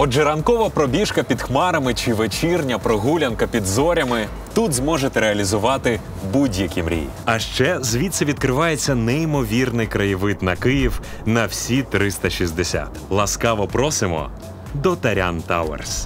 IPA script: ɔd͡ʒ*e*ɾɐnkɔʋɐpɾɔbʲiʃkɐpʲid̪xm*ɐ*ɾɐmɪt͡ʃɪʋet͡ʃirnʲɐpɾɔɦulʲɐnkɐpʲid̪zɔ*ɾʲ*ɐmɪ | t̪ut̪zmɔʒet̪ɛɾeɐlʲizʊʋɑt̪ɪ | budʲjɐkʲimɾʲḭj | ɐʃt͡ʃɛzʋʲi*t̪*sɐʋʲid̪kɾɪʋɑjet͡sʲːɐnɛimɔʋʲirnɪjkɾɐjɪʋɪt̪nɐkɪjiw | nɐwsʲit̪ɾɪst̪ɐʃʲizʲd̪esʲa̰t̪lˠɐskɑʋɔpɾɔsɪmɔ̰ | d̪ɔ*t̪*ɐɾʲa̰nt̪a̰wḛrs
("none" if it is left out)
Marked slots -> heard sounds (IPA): ɛ, ɑ, ɾʲ, t̪, t̪

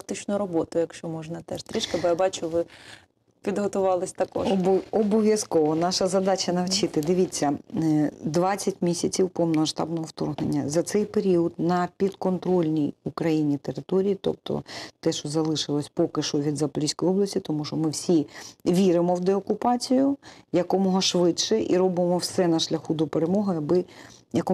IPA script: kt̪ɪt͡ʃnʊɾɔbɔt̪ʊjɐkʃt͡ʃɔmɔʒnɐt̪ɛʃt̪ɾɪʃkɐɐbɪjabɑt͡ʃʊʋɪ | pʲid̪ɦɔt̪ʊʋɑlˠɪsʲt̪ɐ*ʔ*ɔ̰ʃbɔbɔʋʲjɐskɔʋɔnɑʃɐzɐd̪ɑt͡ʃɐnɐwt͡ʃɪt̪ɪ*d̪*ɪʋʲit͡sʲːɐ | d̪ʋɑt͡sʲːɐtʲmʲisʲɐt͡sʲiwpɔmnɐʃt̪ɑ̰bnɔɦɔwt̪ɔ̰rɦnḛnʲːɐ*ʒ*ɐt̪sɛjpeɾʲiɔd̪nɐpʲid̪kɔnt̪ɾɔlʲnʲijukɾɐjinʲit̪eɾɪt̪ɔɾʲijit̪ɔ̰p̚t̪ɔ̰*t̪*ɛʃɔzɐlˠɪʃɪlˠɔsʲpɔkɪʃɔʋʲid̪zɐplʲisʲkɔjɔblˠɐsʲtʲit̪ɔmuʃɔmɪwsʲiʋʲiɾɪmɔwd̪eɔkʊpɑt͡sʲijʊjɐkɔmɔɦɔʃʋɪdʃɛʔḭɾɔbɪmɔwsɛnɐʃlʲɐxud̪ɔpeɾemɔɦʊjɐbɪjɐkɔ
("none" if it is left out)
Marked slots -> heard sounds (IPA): k, d̪, z, t̪

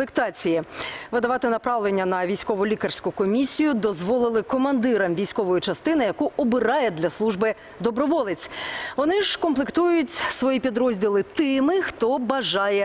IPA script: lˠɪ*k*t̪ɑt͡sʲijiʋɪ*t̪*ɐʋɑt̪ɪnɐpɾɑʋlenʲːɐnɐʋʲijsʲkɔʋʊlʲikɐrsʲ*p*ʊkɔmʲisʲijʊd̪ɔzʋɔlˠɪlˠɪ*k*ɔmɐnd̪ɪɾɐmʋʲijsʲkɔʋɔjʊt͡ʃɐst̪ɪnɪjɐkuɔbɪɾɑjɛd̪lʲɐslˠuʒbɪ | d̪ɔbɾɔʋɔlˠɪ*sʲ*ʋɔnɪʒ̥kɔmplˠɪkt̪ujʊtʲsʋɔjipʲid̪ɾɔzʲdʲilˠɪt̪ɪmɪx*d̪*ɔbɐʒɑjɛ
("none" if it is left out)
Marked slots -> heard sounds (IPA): k, d̪, k, k, t͡sʲ, t̪

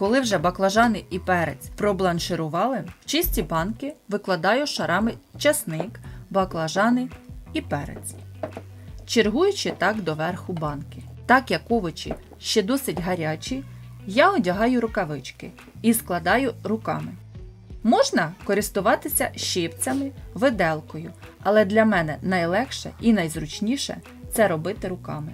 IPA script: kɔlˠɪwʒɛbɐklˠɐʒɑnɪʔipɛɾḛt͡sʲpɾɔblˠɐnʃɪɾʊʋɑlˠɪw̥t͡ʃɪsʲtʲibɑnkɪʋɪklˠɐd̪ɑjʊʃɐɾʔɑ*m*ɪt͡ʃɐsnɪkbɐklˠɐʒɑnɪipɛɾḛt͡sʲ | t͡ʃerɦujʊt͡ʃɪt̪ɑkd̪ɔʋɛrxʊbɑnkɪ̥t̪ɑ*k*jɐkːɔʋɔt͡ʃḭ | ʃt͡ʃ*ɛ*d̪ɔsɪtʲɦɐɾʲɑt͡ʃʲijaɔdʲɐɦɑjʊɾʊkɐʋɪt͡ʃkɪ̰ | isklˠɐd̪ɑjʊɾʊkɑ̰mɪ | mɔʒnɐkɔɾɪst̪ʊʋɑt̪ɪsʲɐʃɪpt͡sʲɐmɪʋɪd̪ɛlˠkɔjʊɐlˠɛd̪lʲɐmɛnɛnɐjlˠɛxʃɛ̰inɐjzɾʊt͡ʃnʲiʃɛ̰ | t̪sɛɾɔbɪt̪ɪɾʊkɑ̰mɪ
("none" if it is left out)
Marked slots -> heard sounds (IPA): m, k, ɛ

